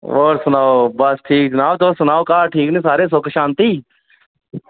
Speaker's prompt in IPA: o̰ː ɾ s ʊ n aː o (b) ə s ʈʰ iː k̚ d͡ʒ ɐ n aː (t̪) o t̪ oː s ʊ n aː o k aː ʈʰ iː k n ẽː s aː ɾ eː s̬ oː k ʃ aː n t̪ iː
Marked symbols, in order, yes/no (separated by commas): yes, no